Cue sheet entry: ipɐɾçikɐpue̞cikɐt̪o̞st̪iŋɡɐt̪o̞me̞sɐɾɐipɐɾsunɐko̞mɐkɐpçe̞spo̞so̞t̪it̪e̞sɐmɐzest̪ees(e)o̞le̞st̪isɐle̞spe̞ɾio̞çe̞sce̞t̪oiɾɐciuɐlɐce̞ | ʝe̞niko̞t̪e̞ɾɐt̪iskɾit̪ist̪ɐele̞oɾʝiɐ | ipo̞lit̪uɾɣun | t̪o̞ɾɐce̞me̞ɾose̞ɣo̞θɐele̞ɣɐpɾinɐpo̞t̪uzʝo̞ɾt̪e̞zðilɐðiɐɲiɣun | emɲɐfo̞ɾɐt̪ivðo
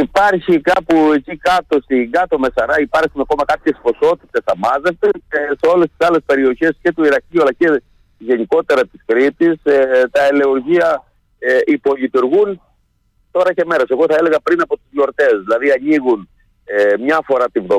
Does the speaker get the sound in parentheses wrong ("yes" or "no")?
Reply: no